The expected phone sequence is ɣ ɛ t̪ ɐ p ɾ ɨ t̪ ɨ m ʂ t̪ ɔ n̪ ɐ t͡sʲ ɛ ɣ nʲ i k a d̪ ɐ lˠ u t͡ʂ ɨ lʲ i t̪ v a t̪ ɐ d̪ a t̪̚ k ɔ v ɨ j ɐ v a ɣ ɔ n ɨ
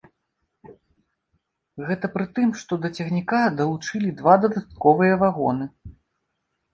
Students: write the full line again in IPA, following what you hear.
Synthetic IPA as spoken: ɣ ɛ t̪ ɐ p ɾ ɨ t̪ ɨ m ʂ t̪ ɔ d̪ ɐ t͡sʲ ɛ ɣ nʲ i k a d̪ ɐ lˠ u t͡ʂ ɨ lʲ i d̪ v a d̪ ɐ d̪ a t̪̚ k ɔ v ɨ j ɐ v a ɣ ɔ n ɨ